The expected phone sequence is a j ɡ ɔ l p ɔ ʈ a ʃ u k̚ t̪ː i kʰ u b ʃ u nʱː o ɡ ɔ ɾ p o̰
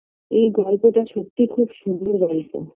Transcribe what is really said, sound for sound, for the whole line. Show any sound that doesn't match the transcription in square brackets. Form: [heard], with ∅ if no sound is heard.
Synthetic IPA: [e] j ɡ ɔ l p [o] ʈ a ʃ [o] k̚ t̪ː i kʰ u b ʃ u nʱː o ɡ ɔ [l] p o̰